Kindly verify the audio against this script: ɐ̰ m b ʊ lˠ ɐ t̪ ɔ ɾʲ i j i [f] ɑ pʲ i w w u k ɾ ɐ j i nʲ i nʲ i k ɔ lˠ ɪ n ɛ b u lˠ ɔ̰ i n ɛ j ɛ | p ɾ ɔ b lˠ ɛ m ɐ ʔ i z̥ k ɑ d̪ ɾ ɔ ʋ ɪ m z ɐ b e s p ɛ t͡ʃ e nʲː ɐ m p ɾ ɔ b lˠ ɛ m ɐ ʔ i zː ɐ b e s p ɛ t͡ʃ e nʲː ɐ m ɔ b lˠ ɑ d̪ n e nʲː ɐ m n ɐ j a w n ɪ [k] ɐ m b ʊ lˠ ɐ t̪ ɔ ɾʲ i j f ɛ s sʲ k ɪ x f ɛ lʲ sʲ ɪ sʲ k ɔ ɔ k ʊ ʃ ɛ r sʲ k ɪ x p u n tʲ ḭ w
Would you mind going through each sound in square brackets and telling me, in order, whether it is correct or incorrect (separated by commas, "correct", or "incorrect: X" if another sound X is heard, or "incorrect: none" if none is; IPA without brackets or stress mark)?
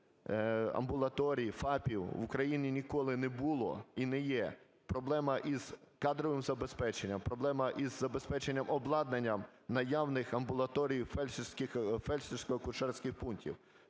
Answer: correct, incorrect: x